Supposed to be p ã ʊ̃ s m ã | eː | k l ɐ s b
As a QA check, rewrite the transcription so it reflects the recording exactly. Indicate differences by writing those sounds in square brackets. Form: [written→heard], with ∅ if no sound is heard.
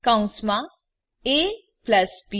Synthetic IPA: [p→k] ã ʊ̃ s m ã | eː | [k→p] l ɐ s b